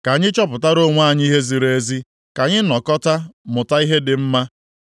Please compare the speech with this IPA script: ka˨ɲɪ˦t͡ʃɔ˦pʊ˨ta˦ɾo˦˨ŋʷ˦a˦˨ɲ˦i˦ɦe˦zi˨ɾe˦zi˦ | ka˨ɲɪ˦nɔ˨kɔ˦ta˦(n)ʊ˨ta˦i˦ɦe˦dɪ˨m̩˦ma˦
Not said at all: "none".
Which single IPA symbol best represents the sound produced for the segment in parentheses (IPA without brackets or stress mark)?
m